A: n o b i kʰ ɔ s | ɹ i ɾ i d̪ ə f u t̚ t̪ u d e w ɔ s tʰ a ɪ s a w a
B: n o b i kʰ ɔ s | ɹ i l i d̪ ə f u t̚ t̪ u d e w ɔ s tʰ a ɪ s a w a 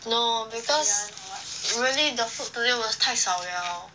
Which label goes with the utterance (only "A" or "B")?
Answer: B